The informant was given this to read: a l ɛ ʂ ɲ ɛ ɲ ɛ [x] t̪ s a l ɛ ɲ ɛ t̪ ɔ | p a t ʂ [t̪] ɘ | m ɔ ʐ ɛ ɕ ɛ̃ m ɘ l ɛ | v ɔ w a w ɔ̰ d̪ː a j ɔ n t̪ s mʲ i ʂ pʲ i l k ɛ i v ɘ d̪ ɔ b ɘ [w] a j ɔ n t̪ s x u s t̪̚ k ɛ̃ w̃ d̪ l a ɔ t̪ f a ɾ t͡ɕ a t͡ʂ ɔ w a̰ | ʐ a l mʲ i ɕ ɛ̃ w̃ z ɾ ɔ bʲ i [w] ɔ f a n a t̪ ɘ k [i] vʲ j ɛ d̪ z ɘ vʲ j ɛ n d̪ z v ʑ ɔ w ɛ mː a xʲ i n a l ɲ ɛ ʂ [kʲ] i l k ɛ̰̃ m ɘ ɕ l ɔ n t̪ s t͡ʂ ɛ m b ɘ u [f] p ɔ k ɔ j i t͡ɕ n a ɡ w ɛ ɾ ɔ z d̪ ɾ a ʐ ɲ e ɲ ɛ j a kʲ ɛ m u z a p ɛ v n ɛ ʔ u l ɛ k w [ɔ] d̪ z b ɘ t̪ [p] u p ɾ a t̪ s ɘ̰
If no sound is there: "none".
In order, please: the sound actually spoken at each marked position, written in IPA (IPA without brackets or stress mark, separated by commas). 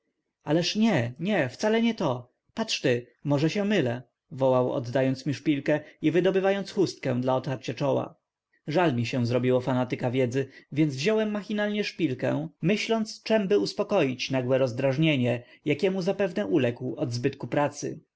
f, t̪, v, w, a, pʲ, s, ɔ, k